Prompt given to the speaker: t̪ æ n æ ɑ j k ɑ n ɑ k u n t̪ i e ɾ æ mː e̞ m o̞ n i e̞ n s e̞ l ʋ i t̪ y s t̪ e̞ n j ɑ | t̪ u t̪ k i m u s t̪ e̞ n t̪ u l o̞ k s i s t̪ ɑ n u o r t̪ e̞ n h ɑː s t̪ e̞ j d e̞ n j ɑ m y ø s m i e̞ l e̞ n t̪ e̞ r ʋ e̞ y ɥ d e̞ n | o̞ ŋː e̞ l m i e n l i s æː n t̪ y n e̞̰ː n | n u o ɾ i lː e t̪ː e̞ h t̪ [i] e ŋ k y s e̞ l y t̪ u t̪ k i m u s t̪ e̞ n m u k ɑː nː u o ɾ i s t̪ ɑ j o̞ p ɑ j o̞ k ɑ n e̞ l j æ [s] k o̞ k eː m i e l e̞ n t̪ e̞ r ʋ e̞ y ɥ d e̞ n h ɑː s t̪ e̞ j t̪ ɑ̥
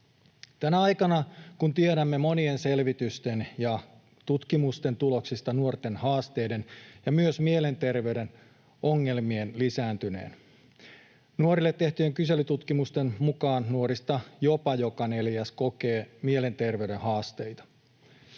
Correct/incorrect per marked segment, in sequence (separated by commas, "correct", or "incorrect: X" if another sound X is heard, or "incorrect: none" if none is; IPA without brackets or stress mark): incorrect: y, correct